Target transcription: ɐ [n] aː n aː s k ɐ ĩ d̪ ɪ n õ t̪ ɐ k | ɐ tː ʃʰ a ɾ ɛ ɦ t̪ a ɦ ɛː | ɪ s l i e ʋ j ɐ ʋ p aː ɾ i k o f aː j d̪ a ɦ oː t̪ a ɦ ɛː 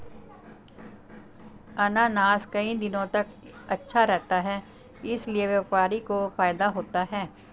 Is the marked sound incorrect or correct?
correct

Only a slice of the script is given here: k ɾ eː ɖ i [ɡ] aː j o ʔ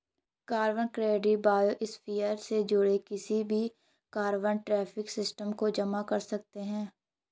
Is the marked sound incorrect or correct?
incorrect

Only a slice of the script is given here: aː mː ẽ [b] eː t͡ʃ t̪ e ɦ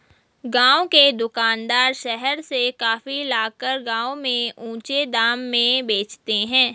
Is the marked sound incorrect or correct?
correct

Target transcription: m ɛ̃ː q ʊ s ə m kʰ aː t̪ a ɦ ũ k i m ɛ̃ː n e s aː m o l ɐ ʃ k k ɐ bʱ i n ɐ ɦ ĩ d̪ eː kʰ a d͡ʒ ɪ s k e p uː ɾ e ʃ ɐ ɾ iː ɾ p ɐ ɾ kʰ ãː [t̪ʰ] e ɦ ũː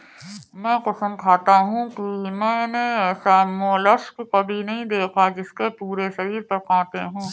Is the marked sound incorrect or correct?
incorrect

